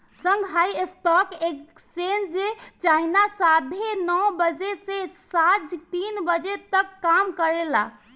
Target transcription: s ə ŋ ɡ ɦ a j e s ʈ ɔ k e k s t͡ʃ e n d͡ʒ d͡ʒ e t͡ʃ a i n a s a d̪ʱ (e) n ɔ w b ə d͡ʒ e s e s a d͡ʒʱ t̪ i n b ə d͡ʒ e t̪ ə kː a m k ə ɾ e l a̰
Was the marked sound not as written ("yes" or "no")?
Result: no